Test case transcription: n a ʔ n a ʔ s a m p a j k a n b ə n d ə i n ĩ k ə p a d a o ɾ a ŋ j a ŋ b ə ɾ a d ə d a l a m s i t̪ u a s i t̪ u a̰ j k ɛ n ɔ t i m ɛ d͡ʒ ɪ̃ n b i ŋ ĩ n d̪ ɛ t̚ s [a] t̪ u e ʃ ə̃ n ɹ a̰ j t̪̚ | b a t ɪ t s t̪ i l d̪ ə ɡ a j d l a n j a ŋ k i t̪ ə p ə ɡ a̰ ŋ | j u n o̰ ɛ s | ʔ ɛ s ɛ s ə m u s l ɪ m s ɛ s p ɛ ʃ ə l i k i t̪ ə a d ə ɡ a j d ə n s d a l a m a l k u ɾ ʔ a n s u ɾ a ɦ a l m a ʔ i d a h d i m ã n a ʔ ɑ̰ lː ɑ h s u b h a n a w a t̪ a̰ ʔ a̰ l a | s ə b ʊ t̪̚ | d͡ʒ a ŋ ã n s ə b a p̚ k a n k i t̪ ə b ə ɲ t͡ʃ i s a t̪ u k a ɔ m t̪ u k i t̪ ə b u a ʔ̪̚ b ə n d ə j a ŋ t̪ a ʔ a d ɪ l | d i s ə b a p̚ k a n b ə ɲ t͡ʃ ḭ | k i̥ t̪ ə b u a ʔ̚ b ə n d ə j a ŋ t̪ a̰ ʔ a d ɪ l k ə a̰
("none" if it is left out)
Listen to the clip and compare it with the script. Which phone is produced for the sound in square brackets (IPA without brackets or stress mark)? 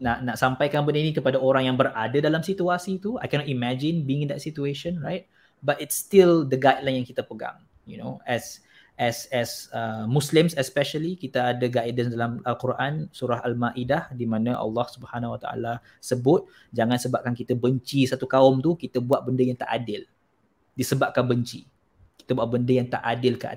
i